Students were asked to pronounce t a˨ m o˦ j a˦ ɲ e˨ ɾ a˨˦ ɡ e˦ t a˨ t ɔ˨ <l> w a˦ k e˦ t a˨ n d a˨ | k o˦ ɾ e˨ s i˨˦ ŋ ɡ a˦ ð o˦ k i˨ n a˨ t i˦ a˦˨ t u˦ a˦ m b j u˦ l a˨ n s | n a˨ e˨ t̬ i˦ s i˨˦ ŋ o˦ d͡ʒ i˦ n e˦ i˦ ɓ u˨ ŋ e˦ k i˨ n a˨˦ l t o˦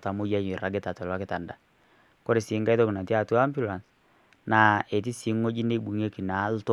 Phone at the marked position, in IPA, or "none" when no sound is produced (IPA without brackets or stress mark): l